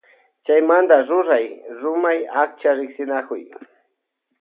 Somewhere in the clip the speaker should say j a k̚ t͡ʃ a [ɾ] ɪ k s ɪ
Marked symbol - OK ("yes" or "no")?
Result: yes